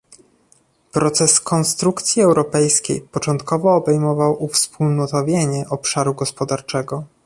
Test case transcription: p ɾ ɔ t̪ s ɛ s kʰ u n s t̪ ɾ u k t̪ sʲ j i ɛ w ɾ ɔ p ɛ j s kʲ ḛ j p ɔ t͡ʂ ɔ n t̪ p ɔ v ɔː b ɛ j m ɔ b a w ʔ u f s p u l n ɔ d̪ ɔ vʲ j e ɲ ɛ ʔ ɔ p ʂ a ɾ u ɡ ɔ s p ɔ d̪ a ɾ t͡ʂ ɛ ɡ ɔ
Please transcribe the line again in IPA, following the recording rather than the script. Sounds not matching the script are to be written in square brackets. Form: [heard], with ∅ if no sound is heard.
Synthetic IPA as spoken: p ɾ ɔ t̪ s ɛ s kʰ [ɔ] n s t̪ ɾ u k t̪ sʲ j i ɛ w ɾ ɔ p ɛ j s kʲ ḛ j p ɔ t͡ʂ ɔ n t̪ [k] ɔ v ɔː b ɛ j m ɔ [v] a w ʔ u f s p u l n ɔ [t̪] ɔ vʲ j e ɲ ɛ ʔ ɔ p ʂ a ɾ u ɡ ɔ s p ɔ d̪ a ɾ t͡ʂ ɛ ɡ ɔ